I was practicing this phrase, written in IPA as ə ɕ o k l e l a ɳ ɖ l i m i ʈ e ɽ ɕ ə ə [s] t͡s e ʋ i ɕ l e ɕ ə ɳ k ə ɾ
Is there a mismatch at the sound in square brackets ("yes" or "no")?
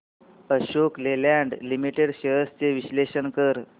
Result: no